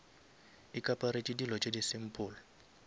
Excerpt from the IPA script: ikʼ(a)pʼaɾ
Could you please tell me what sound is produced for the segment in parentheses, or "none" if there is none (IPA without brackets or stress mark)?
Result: a